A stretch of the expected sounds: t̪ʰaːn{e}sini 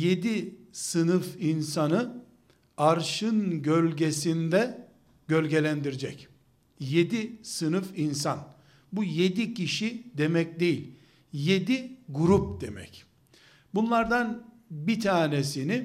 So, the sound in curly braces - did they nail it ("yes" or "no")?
yes